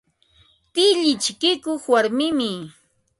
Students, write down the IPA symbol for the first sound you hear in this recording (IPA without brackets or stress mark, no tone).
t̪